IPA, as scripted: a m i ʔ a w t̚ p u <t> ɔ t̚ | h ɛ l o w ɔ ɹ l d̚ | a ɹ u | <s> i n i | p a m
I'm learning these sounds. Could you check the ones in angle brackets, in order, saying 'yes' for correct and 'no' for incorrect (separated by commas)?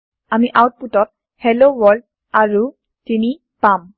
yes, no